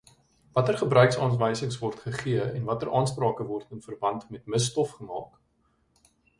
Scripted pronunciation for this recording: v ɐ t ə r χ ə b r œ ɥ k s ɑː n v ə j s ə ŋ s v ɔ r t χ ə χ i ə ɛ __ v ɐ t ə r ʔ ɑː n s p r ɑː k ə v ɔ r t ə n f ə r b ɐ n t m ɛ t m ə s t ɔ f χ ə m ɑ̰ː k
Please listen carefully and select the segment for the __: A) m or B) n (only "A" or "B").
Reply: B